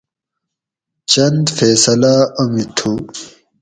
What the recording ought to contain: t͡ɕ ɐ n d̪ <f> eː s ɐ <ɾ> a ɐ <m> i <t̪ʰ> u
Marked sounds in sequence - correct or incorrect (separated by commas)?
correct, incorrect, correct, correct